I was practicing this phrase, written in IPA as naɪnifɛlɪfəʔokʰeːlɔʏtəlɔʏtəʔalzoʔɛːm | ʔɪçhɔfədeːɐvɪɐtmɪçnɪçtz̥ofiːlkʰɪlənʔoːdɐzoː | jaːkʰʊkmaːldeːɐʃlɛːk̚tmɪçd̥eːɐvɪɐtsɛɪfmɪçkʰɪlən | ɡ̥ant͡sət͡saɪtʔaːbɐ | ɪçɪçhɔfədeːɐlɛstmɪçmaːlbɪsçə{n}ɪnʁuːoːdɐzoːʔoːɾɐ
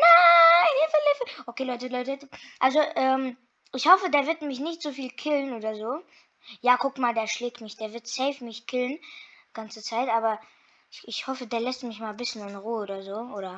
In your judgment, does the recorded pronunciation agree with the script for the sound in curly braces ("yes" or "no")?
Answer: yes